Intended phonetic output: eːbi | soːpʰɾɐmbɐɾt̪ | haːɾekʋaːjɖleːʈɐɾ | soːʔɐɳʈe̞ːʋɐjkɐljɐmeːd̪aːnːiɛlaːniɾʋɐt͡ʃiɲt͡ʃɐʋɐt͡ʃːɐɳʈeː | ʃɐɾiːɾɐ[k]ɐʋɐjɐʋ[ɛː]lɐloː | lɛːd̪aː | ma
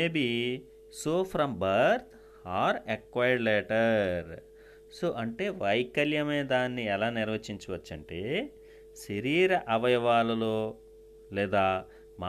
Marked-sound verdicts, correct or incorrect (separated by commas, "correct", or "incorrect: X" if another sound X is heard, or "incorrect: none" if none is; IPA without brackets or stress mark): incorrect: ʔ, incorrect: aː